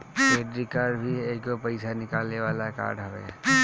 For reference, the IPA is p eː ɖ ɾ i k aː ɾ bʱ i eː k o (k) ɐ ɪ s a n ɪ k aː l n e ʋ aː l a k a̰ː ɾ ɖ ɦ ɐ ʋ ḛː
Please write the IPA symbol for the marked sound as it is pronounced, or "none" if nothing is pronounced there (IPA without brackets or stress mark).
p